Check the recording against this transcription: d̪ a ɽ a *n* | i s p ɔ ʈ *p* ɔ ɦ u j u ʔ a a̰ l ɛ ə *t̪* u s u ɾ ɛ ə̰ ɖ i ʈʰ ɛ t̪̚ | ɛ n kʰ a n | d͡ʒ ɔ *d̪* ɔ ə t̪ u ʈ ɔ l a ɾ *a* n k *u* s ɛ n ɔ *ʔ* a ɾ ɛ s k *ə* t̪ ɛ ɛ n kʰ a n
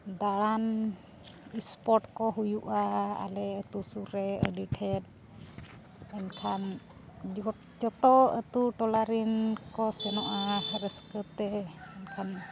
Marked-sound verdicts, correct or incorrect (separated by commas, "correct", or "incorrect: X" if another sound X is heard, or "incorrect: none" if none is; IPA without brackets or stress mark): correct, incorrect: k, correct, incorrect: t̪, incorrect: i, incorrect: ɔ, correct, correct